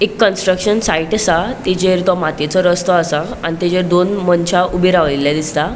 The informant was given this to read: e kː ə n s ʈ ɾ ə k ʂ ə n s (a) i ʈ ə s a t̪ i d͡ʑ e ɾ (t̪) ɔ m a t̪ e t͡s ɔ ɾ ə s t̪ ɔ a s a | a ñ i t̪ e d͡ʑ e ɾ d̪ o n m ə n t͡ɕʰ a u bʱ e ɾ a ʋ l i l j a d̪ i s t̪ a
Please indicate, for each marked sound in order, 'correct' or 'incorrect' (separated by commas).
correct, correct